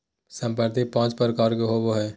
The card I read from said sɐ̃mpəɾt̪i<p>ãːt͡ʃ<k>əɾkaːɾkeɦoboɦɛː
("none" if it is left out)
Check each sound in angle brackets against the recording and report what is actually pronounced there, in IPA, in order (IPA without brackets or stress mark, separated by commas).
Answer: p, p